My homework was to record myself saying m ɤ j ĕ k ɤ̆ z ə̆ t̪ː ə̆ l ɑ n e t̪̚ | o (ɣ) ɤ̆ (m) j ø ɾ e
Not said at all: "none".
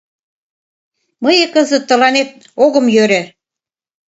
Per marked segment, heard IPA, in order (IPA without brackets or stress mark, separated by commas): ɣ, m